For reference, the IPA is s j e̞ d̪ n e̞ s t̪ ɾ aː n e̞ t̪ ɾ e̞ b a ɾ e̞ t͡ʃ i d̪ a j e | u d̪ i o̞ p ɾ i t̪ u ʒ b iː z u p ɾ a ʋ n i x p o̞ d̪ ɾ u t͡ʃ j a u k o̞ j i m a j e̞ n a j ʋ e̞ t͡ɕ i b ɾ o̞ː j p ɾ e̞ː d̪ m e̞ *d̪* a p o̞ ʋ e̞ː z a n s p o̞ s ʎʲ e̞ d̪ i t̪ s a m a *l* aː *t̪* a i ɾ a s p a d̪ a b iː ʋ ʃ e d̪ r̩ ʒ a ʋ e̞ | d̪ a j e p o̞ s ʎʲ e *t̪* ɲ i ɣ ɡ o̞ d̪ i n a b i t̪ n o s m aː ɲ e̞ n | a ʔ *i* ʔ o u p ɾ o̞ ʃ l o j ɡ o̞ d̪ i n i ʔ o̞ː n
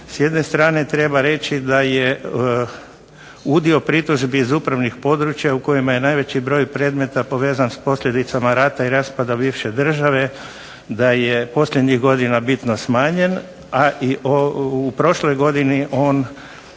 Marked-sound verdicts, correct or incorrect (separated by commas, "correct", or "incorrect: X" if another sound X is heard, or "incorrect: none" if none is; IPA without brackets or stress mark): incorrect: t̪, incorrect: ɾ, correct, incorrect: d̪, correct